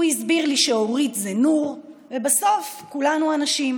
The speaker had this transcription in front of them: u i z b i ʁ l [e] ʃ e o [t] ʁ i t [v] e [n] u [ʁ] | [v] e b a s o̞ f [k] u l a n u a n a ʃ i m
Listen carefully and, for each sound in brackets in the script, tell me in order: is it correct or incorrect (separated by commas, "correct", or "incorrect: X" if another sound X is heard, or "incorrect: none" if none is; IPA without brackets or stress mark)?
incorrect: i, incorrect: none, incorrect: z, correct, correct, correct, correct